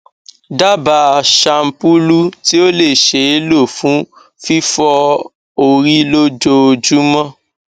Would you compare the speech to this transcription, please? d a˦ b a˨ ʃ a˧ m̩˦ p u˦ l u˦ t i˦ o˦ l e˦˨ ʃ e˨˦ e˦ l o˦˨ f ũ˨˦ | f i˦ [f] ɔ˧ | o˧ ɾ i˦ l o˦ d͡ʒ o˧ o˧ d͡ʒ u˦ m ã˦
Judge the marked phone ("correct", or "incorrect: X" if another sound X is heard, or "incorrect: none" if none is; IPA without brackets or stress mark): correct